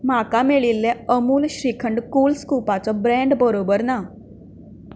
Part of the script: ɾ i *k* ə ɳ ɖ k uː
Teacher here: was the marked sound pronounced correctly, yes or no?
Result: no